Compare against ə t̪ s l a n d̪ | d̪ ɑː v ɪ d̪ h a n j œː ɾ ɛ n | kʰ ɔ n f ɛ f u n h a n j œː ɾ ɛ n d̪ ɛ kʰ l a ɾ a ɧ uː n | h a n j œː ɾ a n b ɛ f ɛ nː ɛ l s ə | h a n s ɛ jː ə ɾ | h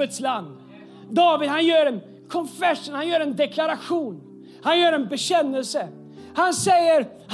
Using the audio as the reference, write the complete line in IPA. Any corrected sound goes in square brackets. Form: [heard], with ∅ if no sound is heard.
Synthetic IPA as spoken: ə t̪ s l a n d̪ | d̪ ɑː v ɪ d̪ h a n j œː ɾ ɛ n | kʰ ɔ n f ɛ [ʂ] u n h a n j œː ɾ ɛ n d̪ ɛ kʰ l a ɾ a ɧ uː n | h a n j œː ɾ [ɛ] n b ɛ [ɕ] ɛ nː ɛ l s ə | h a n s ɛ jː ə ɾ | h